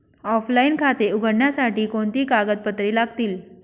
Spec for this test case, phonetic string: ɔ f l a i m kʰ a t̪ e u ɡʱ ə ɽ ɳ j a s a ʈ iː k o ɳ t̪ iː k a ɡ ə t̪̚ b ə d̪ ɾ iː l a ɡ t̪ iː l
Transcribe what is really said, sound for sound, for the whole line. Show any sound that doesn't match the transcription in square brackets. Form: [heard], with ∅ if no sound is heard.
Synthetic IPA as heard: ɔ f l a i [n] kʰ a t̪ e u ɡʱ ə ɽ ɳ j a s a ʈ iː k o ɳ t̪ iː k a ɡ ə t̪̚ [p] ə [t̪] ɾ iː l a ɡ t̪ iː l

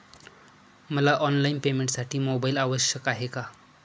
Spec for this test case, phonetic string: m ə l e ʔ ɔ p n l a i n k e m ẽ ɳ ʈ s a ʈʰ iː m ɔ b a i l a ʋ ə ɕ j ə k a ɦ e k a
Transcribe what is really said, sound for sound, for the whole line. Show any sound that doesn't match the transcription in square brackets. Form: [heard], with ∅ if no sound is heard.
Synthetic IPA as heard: m ə l [a] ʔ ɔ [∅] n l a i n [p] e m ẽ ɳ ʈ s a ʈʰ iː m [o] b a i l a ʋ ə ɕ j ə k a ɦ e k a

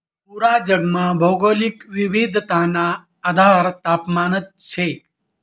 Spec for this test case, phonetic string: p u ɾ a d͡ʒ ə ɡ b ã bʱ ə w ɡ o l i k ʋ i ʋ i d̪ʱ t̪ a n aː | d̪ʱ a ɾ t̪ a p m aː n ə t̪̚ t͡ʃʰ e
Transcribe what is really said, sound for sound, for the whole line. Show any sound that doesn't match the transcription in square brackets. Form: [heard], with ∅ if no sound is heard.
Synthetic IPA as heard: p u ɾ a d͡ʒ ə ɡ [m] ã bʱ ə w ɡ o l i k ʋ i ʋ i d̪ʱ t̪ a n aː | d̪ʱ a ɾ t̪ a p m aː n ə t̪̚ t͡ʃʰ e

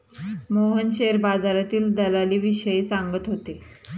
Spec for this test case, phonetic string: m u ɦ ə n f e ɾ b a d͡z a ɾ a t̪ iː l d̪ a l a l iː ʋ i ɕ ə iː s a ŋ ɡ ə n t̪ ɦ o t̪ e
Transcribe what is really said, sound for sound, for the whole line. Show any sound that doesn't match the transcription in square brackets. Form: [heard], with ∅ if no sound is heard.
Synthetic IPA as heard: m [o] ɦ ə n [ɕ] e ɾ b a d͡z a ɾ a t̪ iː l d̪ [ə] l a l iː ʋ i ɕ ə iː s a ŋ ɡ ə [∅] t̪ ɦ o t̪ e

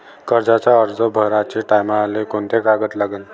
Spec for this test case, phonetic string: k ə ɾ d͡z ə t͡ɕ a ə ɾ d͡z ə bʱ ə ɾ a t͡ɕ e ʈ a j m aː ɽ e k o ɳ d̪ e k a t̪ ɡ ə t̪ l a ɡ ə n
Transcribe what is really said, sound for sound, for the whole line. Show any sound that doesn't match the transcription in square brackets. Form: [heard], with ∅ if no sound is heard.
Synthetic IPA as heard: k ə ɾ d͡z [a] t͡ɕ a ə ɾ d͡z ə bʱ ə ɾ a t͡ɕ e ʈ a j m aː [l] e k o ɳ [t̪] e k a [∅] ɡ ə t̪ l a ɡ ə n

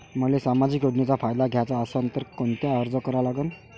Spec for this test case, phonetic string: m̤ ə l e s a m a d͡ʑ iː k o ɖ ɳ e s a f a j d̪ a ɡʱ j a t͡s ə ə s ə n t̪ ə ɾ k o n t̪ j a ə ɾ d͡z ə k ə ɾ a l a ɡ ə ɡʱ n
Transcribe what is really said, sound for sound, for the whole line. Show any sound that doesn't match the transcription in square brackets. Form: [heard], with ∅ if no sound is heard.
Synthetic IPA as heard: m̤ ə l e s a m a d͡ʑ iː k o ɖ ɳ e [t͡s] a f a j d̪ a ɡʱ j a t͡s [a] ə s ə n t̪ ə ɾ k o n t̪ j a ə ɾ d͡z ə k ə ɾ a l a ɡ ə [∅] n

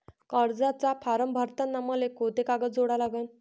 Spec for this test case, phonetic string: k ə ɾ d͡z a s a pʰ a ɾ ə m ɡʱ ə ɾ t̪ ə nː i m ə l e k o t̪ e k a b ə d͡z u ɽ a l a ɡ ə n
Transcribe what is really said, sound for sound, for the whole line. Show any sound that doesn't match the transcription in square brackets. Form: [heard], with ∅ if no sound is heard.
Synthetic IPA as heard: k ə ɾ d͡z a [t͡s] a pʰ a ɾ ə m [bʱ] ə ɾ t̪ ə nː [a] m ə l e k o t̪ e k a [ɡ] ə d͡z [o] ɽ a l a ɡ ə n

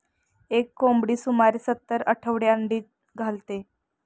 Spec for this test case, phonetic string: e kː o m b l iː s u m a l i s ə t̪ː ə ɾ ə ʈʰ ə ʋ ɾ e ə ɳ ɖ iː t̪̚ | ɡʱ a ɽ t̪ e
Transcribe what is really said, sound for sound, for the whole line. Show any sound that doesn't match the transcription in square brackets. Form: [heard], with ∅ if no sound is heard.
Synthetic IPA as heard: e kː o m b [ɽ] iː s u m a [ɾ] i s ə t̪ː ə ɾ ə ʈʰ ə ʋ [ɽ] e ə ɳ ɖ iː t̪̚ | ɡʱ a [l] t̪ e

